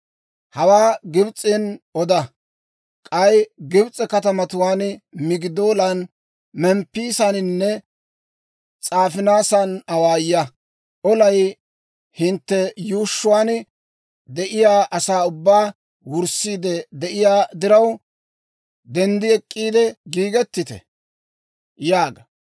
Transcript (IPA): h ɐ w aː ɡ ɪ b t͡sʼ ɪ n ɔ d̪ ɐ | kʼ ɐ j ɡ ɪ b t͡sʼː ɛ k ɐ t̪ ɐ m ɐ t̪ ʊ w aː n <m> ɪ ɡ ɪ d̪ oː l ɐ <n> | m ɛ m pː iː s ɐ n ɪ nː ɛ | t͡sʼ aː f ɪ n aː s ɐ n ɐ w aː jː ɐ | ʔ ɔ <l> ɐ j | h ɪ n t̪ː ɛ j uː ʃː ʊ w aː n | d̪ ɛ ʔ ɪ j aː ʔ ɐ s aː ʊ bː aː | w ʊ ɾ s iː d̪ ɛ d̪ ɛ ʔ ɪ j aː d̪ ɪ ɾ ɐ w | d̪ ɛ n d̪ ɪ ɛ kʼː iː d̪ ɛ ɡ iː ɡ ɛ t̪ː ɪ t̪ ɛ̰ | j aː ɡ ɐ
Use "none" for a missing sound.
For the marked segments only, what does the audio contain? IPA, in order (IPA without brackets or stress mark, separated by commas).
m, n, l